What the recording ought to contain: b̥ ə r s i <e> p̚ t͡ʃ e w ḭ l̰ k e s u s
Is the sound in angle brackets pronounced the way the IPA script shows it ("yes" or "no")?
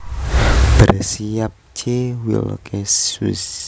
no